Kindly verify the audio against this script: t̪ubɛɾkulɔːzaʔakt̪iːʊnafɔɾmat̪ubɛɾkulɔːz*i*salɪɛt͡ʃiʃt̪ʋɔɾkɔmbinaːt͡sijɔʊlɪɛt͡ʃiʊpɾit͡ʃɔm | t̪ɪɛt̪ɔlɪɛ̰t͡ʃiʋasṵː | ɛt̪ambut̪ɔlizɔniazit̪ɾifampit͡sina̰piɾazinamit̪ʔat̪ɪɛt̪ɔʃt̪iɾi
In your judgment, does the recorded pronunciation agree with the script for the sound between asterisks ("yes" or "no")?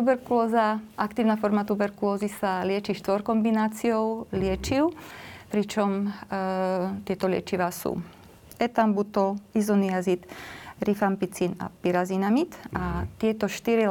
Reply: yes